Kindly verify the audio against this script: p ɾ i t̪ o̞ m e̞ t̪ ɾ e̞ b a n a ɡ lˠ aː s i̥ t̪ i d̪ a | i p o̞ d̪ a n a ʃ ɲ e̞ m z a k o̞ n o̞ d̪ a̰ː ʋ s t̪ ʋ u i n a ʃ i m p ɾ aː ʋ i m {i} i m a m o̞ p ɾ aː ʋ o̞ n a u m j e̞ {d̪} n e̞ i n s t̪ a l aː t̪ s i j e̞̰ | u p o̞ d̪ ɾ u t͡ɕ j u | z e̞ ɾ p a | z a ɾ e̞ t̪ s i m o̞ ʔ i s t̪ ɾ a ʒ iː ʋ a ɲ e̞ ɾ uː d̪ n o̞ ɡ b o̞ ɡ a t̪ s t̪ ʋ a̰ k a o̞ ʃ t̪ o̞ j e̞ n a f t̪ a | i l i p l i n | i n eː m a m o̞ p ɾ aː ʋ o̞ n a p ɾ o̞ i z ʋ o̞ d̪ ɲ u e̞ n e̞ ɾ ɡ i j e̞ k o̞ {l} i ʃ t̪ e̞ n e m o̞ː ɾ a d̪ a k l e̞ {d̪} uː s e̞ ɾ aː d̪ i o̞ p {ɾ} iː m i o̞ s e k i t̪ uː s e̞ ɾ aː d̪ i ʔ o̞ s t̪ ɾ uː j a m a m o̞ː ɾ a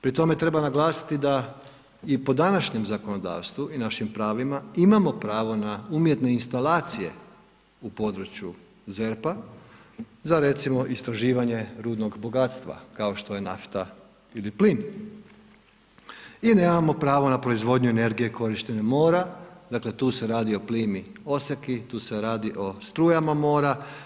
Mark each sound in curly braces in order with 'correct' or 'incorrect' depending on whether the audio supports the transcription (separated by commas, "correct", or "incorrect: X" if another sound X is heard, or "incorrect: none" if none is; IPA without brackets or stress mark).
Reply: incorrect: a, incorrect: t̪, incorrect: ɾ, incorrect: t̪, incorrect: l